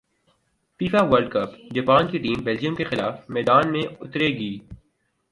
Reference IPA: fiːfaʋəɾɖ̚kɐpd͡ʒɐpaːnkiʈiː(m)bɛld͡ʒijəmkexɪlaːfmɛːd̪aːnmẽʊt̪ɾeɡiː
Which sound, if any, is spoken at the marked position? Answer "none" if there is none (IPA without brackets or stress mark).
m